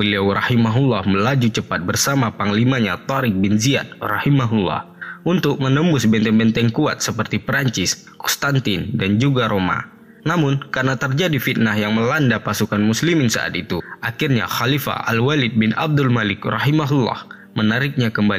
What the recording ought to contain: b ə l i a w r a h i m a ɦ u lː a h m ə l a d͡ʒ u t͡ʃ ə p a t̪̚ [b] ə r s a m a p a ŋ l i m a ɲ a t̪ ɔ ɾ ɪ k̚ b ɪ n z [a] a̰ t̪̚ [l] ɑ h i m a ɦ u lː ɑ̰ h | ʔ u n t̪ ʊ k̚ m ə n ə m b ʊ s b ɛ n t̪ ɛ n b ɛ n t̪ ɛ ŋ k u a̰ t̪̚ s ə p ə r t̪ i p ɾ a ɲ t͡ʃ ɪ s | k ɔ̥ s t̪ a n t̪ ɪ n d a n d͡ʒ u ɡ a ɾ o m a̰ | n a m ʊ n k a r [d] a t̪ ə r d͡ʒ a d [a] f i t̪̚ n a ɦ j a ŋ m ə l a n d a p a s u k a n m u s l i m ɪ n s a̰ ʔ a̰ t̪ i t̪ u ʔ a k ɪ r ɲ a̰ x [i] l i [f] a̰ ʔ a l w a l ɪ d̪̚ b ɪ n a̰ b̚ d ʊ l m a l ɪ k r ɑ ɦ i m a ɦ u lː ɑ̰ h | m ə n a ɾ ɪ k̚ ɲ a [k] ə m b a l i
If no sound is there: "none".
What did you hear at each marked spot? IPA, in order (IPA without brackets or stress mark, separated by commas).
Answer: b, i, r, n, i, a, f, k